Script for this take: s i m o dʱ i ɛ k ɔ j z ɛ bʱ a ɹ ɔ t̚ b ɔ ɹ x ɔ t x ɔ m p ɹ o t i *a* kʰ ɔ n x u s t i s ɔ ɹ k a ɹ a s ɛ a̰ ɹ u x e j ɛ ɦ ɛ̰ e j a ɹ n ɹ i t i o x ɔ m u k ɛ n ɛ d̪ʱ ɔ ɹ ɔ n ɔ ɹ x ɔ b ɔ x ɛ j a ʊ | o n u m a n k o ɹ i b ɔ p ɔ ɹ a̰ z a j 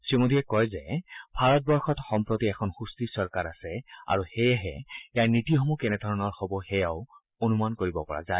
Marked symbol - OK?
no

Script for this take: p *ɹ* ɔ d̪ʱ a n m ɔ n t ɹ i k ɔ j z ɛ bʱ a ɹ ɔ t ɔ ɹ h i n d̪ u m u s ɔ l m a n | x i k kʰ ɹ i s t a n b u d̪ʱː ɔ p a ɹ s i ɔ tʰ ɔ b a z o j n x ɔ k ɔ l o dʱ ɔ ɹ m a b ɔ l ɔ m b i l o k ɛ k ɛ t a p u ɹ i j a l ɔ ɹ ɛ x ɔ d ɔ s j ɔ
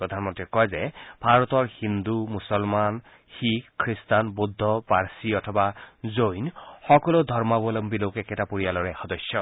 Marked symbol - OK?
yes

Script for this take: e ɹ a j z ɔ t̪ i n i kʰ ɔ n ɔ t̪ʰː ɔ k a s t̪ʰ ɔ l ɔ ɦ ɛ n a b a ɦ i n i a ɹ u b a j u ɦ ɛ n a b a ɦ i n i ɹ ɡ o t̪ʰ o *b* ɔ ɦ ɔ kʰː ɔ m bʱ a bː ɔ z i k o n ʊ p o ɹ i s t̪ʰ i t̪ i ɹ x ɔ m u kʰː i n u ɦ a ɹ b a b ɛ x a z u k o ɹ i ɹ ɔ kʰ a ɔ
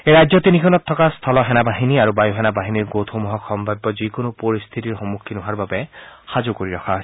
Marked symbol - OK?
no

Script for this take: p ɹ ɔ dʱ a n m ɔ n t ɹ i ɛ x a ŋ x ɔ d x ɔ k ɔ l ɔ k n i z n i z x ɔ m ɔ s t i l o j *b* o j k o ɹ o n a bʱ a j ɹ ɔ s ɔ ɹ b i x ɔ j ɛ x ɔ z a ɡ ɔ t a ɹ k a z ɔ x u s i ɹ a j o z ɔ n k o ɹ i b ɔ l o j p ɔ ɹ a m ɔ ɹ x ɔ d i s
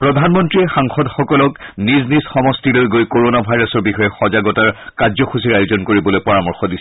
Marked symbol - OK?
no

